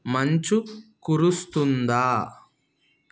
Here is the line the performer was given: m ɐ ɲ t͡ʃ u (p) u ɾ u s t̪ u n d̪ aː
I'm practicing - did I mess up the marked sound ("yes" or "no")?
yes